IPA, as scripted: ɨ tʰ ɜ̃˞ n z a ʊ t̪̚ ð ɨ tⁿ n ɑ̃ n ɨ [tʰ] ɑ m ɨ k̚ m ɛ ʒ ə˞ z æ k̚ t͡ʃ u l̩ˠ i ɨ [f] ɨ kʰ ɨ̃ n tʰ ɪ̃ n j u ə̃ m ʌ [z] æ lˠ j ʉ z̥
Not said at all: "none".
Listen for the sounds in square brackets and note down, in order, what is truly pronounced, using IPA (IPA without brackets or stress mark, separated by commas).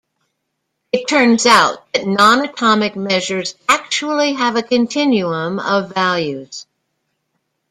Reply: tʰ, v, v